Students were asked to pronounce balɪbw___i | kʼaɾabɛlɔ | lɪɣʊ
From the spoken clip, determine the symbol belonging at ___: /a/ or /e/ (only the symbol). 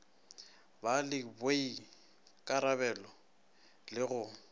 e